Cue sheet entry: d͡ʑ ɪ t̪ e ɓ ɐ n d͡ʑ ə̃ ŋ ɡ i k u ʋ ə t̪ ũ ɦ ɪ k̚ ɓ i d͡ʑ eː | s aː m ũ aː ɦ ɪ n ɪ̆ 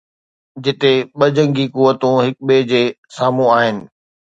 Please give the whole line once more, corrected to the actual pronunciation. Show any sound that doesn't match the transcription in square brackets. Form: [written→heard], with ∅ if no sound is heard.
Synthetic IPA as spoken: d͡ʑ ɪ t̪ e ɓ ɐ [n→∅] d͡ʑ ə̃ ŋ ɡ i k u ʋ ə t̪ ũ ɦ ɪ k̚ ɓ [i→e] d͡ʑ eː | s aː m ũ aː ɦ ɪ n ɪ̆